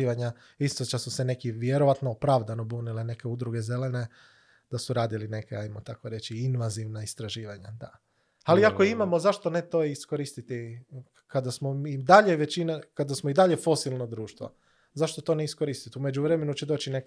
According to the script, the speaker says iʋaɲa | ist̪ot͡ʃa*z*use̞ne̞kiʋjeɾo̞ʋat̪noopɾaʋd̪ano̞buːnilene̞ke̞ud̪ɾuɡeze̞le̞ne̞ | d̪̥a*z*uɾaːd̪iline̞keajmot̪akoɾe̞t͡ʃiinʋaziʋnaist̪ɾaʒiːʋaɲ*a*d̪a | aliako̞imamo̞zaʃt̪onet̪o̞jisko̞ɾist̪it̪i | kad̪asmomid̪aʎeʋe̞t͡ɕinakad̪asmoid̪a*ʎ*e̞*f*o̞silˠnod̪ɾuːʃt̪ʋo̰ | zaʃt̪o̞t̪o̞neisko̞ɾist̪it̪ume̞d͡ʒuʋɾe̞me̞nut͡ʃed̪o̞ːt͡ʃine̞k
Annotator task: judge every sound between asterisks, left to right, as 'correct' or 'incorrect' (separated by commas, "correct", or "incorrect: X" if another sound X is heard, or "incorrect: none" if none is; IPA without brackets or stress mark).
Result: incorrect: s, incorrect: s, correct, correct, correct